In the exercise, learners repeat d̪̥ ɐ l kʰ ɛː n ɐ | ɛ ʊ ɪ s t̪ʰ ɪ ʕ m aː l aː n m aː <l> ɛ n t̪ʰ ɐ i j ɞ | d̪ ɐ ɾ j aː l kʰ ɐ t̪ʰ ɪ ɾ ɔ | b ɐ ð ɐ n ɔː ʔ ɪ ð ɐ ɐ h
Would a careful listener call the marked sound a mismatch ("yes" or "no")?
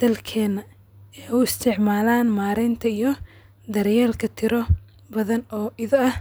yes